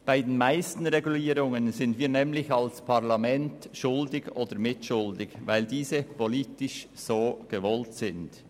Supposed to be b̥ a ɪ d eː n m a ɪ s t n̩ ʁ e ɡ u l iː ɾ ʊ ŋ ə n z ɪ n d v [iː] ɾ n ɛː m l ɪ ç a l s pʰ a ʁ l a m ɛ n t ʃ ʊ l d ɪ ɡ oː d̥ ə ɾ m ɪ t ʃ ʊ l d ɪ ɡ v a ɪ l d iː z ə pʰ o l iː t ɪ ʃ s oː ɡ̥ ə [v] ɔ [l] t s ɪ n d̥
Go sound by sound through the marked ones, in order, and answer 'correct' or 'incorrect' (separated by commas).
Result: correct, correct, correct